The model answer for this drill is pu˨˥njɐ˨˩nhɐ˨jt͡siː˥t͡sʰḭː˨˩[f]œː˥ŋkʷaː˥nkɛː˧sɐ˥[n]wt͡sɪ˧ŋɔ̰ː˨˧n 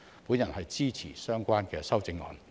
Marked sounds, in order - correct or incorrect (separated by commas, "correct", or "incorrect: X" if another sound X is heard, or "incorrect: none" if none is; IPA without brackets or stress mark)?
incorrect: s, incorrect: none